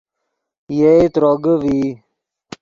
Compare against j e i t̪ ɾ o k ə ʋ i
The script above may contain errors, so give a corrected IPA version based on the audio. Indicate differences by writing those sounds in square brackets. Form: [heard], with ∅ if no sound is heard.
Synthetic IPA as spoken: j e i t̪ ɾ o [ɡ] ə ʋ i